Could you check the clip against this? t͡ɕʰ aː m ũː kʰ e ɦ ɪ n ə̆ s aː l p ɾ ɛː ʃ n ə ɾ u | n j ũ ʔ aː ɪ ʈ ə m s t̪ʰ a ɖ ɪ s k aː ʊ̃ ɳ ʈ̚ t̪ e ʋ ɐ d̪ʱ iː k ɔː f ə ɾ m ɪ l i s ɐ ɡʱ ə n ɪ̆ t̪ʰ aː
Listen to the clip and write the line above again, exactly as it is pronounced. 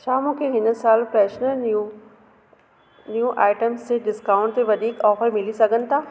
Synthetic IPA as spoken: t͡ɕʰ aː m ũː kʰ e ɦ ɪ n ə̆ s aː l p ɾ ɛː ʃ n ə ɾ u | n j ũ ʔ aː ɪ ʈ ə m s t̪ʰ e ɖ ɪ s k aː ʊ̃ ɳ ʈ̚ t̪ e ʋ ɐ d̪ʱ iː k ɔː f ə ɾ m ɪ l i s ɐ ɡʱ ə n ɪ̆ t̪ʰ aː

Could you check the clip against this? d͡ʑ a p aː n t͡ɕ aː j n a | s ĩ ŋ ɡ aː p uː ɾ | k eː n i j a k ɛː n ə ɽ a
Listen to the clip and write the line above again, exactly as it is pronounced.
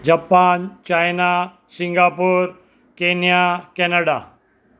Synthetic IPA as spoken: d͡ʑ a p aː n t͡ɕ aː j n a | s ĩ ŋ ɡ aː p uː ɾ | k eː n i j a k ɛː n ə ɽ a

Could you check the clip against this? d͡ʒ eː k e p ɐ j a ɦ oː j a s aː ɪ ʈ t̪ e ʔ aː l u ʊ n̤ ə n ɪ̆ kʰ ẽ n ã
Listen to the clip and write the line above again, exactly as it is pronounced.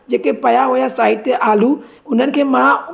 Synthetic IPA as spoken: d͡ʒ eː k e p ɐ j a ɦ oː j a s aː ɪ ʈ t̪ e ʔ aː l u ʊ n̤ ə n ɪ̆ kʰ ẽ m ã

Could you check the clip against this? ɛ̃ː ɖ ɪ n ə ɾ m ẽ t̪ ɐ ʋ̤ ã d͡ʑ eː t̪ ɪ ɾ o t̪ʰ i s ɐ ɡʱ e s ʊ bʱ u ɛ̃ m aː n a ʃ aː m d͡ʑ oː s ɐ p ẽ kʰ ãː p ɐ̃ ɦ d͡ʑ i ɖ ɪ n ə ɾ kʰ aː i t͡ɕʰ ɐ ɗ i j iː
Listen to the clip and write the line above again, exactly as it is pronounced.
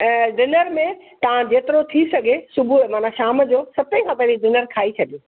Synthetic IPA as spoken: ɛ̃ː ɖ ɪ n ə ɾ m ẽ t̪ ɐ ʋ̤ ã d͡ʑ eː t̪ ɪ ɾ o t̪ʰ i s ɐ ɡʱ e s ʊ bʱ u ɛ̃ m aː n a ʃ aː m d͡ʑ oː s ɐ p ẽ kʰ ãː p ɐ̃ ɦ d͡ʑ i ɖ ɪ n ə ɾ kʰ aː i t͡ɕʰ ɐ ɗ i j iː

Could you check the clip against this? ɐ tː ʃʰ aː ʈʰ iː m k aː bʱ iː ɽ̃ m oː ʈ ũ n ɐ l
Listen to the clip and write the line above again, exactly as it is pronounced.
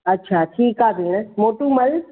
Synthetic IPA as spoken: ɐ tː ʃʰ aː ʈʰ iː k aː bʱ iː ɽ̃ m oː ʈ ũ m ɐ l

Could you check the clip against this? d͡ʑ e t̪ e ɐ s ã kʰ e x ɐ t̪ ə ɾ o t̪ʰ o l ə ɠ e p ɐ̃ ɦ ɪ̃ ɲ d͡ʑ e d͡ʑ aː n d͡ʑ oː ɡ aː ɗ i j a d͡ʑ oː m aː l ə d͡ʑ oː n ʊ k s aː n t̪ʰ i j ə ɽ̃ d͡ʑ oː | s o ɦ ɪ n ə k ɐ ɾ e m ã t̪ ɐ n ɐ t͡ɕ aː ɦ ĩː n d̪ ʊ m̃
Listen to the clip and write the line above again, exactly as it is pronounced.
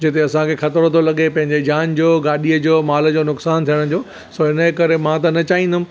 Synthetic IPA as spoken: d͡ʑ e t̪ e ɐ s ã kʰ e x ɐ t̪ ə ɾ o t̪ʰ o l ɐ ɠ e p ɐ̃ ɦ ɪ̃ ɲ d͡ʑ e d͡ʑ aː n d͡ʑ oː ɡ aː ɗ i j ə d͡ʑ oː m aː l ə d͡ʑ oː n ʊ k s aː n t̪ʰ i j ə ɽ̃ d͡ʑ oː | s o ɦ ɪ n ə k ɐ ɾ e m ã t̪ ɐ n ɐ t͡ɕ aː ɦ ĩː n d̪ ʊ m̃

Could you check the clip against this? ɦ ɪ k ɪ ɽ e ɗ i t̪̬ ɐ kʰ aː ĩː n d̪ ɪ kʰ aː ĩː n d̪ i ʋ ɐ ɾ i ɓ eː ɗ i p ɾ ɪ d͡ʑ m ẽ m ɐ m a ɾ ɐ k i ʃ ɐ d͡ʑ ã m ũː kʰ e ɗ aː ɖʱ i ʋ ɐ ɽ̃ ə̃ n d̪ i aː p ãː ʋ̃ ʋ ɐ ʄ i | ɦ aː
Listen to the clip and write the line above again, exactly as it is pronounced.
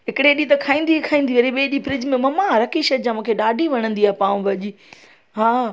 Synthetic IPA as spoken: ɦ ɪ k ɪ ɽ e ɗ i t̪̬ ɐ kʰ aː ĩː n d̪ i kʰ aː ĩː n d̪ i ʋ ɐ ɾ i ɓ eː ɗ i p ɾ ɪ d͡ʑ m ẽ m ɐ m a ɾ ɐ k i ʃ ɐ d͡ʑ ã m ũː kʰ e ɗ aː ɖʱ i ʋ ɐ ɽ̃ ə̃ n d̪ i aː p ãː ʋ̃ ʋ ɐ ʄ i | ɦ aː

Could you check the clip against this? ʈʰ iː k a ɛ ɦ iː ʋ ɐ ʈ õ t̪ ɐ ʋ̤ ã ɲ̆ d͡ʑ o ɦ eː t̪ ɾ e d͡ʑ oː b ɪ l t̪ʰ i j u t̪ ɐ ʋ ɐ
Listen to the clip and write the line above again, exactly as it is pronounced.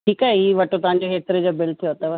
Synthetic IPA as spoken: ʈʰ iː k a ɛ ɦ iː ʋ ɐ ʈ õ t̪ ɐ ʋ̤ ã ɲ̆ d͡ʑ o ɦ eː t̪ ɾ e d͡ʑ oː b ɪ l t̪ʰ i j o t̪ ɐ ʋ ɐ

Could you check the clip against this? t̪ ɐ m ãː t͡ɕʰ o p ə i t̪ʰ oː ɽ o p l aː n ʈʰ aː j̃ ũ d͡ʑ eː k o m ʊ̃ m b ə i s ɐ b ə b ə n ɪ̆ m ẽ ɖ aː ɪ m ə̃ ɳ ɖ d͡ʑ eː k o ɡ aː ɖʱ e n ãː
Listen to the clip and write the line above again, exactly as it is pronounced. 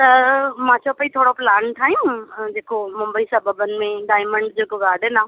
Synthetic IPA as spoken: t̪ ɐ m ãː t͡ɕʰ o p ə i t̪ʰ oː ɽ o p l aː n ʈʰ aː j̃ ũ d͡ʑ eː k o m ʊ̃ m b ə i s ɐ b ə b ə n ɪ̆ m ẽ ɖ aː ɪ m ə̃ ɳ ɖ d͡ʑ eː k o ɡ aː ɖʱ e n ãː

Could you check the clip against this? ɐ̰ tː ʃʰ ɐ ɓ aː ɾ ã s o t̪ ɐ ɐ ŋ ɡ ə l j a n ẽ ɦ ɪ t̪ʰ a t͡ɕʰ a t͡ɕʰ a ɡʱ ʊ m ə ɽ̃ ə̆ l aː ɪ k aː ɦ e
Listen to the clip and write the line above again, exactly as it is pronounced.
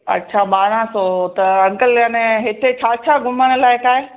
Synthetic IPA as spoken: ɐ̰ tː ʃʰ a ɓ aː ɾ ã s o t̪ ɐ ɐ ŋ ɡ ə l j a n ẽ ɦ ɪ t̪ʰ e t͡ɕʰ a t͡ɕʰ a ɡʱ ʊ m ə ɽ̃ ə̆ l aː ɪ k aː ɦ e

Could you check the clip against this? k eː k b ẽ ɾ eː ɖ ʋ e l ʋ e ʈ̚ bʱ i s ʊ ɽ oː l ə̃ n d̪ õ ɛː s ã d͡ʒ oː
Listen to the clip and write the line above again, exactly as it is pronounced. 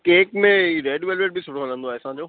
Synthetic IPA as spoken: k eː k m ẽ ɾ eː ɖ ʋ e l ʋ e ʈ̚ bʱ i s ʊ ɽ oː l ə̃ n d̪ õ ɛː s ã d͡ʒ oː

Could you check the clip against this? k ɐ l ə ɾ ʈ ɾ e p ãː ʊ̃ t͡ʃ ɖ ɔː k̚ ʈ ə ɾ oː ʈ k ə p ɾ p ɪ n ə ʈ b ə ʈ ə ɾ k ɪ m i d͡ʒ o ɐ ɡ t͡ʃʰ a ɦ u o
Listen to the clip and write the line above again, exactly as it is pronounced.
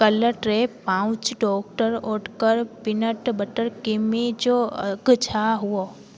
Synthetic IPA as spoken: k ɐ l ə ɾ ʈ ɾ e p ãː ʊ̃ t͡ʃ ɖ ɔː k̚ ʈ ə ɾ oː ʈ k ə ɾ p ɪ n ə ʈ b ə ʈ ə ɾ k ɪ m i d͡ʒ o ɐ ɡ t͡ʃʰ a ɦ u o

